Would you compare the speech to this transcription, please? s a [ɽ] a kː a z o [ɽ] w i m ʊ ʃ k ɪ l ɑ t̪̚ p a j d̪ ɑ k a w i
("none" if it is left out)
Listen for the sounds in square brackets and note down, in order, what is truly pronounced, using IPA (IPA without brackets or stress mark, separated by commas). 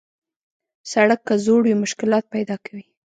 ɽ, ɽ